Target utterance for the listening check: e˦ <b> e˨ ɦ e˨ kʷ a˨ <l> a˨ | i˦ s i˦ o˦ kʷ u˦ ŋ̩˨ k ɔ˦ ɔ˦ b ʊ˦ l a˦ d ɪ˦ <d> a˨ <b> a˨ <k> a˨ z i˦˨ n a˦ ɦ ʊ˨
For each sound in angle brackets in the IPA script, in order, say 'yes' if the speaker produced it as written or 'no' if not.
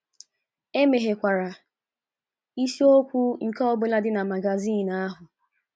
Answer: no, no, no, no, no

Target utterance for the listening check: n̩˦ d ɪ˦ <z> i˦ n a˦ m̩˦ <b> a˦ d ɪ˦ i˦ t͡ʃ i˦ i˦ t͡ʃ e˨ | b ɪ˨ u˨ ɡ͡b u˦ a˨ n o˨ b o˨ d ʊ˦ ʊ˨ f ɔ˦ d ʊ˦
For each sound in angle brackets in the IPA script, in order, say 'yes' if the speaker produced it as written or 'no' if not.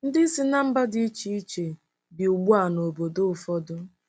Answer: no, yes

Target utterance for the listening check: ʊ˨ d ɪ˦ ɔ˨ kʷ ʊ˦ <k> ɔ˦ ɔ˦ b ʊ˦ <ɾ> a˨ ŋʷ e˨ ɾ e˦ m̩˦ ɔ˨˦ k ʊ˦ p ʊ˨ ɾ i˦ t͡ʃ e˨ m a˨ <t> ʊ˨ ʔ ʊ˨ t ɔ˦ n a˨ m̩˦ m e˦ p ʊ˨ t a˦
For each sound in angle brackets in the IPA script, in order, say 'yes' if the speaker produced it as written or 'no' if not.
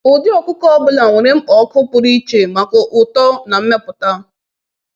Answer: yes, no, no

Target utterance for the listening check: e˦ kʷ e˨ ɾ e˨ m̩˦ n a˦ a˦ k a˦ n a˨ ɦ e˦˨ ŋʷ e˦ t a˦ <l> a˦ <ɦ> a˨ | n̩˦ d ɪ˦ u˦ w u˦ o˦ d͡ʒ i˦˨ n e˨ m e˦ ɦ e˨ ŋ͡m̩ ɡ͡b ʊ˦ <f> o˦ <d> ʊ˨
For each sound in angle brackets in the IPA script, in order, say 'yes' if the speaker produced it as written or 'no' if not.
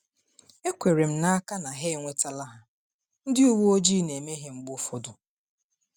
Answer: yes, yes, yes, yes

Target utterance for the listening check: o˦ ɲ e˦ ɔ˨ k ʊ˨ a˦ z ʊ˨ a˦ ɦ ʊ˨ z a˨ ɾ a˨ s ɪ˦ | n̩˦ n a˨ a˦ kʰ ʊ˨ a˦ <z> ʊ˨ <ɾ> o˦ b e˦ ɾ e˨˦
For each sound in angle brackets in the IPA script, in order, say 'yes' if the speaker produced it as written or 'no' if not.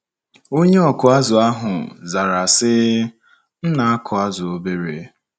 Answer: yes, no

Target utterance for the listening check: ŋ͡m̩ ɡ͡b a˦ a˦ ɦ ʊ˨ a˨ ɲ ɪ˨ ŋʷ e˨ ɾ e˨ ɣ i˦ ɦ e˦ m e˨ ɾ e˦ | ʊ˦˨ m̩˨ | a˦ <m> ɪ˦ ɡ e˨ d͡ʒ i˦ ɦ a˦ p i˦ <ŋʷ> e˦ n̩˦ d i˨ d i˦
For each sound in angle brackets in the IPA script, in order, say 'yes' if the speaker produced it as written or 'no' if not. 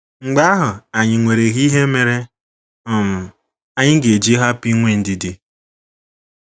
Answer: no, yes

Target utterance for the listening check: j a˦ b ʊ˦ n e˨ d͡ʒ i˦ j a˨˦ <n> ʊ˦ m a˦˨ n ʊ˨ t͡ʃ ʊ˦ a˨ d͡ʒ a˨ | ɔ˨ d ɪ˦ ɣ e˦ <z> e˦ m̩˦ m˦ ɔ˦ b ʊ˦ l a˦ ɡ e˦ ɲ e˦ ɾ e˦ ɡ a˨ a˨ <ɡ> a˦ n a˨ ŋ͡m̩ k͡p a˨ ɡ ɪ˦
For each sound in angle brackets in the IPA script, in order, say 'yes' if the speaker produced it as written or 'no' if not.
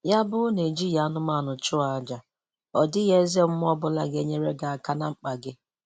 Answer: yes, yes, no

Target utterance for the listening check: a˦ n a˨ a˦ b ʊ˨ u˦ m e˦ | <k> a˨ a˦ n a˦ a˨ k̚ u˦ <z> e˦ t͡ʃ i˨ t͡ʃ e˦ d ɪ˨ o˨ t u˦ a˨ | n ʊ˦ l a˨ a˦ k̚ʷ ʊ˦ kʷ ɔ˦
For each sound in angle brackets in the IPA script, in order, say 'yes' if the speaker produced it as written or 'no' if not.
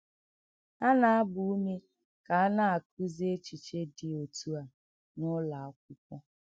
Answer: yes, yes

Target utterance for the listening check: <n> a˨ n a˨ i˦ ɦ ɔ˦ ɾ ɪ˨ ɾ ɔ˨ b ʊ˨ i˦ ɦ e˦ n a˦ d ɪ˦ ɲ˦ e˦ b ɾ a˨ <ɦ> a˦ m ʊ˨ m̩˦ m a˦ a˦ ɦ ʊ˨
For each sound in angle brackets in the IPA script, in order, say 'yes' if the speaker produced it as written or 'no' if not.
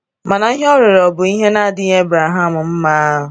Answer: no, yes

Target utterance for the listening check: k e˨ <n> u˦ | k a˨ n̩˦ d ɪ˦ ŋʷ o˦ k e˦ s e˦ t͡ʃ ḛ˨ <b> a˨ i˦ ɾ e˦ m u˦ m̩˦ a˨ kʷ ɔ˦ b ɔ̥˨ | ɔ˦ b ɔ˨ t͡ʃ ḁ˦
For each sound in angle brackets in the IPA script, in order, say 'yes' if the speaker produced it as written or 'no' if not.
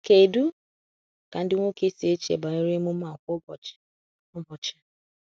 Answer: no, yes

